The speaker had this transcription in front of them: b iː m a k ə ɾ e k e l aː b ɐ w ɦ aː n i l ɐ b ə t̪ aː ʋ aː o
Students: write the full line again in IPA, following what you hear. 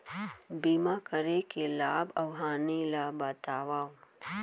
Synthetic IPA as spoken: b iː m a k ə ɾ e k e l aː b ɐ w ɦ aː n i l a b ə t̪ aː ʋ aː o